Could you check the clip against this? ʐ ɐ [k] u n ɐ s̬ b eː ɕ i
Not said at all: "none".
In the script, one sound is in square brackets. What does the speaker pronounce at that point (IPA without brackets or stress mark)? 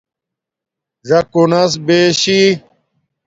k